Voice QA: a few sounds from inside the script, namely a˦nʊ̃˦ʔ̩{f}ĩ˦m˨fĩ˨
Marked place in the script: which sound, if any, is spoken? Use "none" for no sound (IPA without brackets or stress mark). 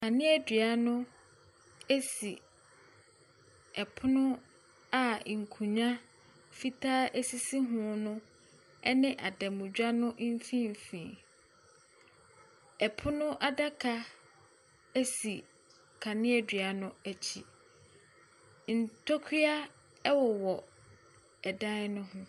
f